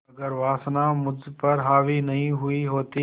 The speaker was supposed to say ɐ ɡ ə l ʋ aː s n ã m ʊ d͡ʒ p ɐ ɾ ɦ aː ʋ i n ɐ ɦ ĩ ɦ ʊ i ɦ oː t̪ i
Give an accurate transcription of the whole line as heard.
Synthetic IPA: ɐ ɡ ə ɾ ʋ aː s n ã m ʊ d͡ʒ p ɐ ɾ ɦ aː ʋ i n ɐ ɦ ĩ ɦ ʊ i ɦ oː t̪ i